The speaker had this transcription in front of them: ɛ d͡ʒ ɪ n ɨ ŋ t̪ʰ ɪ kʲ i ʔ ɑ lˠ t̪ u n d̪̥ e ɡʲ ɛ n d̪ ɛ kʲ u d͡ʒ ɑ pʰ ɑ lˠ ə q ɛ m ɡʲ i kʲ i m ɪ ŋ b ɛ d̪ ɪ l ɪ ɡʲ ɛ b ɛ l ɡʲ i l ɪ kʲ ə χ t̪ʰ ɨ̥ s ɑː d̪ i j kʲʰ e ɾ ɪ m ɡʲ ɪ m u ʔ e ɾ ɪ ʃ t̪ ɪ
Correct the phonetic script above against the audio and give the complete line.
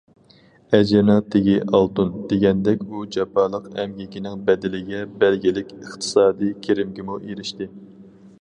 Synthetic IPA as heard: ɛ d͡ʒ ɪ n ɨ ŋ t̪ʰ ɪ ɡʲ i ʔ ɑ lˠ t̪ u n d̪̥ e ɡʲ ɛ n d̪ ɛ kʲ u d͡ʒ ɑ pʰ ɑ lˠ ə q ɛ m ɡʲ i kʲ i n ɪ ŋ b ɛ d̪ ɪ l ɪ ɡʲ ɛ b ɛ l ɡʲ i l ɪ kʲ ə χ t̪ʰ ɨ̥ s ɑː d̪ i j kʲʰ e ɾ ɪ m ɡʲ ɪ m u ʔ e ɾ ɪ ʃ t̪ ɪ